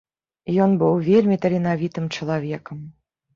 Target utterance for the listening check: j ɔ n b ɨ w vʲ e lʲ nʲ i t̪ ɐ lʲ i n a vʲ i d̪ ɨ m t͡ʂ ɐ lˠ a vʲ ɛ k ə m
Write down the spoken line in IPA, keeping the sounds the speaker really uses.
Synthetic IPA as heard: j ɔ n b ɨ w vʲ e lʲ mʲ i t̪ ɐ lʲ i n a vʲ i t̪ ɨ m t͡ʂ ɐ lˠ a vʲ ɛ k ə m